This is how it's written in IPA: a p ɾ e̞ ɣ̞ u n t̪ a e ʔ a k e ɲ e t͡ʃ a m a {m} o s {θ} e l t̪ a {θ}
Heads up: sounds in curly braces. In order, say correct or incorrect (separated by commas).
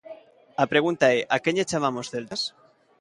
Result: correct, correct, incorrect